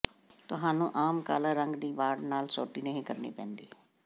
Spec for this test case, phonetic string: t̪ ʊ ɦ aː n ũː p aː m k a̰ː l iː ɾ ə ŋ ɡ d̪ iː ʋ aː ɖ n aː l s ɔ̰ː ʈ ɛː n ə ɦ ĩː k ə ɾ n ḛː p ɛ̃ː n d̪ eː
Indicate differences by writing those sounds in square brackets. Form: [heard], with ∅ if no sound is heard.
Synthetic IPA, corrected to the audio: t̪ ʊ ɦ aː n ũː [ʔ] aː m k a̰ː l [aː] ɾ ə ŋ ɡ d̪ iː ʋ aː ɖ n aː l s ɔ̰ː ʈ [iː] n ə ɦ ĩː k ə ɾ n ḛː p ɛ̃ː n d̪ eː